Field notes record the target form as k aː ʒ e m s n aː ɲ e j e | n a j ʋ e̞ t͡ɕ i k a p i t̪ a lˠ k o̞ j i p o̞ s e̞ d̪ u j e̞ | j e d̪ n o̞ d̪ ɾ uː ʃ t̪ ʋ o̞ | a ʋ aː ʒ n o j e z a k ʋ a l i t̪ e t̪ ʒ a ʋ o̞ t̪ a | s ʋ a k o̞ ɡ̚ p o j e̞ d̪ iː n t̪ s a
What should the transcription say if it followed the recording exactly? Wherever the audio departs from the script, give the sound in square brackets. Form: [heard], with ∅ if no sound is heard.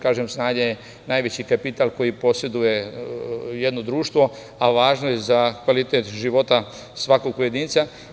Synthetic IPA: k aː ʒ e m s n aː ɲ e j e | n a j ʋ e̞ t͡ɕ i k a p i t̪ a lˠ k o̞ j i p o̞ s e̞ d̪ u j e̞ | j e d̪ n o̞ d̪ ɾ uː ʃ t̪ ʋ o̞ | a ʋ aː ʒ n o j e z a k ʋ a l i t̪ e t̪ ʒ [i] ʋ o̞ t̪ a | s ʋ a k o̞ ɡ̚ p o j e̞ d̪ iː n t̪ s a